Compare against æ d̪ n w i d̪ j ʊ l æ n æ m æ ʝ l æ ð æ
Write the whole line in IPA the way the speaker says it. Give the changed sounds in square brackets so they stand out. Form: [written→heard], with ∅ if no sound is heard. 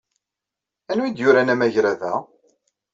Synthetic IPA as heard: æ [d̪→∅] n w i d̪ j ʊ [l→ɾ] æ n æ m æ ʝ [l→ɾ] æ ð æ